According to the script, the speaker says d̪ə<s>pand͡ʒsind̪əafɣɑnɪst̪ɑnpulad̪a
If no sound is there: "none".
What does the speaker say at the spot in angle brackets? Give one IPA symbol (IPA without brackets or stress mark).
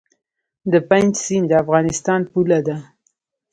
none